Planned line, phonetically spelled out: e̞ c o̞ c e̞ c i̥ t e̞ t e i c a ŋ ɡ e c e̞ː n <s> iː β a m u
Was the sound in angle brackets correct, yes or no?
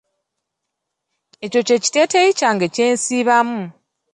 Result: yes